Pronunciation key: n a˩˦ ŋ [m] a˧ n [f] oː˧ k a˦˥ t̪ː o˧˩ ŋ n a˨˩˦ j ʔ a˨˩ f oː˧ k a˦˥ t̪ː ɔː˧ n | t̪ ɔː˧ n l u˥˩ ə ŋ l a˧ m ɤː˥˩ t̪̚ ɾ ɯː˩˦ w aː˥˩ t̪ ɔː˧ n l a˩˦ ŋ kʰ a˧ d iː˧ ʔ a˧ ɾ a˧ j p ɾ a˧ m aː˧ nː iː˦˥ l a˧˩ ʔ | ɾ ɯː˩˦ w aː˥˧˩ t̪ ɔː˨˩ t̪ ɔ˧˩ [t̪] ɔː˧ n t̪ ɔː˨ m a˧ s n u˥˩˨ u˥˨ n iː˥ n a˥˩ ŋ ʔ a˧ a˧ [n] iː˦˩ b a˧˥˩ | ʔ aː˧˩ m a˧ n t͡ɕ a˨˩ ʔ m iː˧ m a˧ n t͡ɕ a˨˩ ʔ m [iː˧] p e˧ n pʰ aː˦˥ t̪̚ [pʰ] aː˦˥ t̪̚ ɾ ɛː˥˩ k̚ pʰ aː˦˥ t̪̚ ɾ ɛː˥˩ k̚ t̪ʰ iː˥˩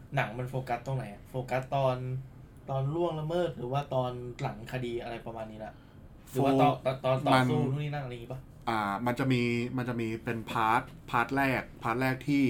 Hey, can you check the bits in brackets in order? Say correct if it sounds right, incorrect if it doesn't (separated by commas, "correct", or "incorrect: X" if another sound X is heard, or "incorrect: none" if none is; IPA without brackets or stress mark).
correct, correct, correct, incorrect: ŋ, correct, correct